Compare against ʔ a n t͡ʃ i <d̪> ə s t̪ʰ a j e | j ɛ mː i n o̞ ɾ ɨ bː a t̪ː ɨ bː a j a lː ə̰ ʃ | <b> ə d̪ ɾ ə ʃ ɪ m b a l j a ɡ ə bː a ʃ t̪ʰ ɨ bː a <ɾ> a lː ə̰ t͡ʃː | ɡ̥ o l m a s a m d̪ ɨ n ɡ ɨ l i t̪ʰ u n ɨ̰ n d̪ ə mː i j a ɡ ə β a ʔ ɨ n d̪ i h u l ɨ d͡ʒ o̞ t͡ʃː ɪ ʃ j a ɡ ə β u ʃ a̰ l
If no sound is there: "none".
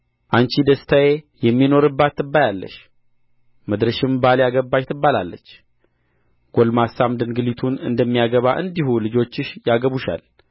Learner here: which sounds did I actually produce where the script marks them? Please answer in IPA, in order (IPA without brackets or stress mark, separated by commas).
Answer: d̪, m, l